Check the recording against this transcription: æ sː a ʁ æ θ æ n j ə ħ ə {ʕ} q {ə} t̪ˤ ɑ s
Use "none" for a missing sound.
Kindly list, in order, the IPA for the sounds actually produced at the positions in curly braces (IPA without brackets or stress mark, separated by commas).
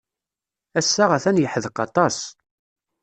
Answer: ð, ɑ